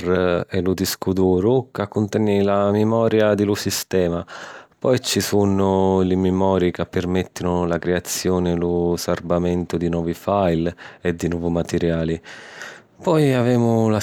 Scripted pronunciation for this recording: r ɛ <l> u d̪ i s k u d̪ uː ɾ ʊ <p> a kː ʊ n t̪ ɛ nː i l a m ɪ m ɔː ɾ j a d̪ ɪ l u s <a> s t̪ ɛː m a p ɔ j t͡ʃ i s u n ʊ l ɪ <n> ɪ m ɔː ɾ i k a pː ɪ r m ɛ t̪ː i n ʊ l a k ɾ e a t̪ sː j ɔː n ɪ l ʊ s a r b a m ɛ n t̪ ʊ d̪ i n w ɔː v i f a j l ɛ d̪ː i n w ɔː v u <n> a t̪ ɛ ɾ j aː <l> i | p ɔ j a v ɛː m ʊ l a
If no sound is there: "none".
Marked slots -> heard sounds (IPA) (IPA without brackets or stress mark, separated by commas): l, k, i, m, m, l